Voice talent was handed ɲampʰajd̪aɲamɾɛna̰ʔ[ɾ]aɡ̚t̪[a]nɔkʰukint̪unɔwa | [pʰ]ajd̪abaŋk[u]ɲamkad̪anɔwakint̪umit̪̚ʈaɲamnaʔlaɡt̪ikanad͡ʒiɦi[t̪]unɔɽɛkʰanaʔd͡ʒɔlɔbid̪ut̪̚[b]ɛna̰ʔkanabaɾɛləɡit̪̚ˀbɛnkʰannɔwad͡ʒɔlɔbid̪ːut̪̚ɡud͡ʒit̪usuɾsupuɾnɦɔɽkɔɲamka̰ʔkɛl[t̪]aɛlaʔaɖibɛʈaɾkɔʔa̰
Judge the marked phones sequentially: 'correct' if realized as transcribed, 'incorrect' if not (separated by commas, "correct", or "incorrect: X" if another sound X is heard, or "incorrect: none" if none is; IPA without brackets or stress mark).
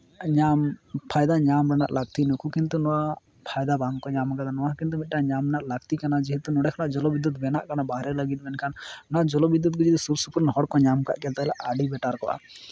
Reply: incorrect: l, incorrect: i, correct, incorrect: ɔ, correct, correct, correct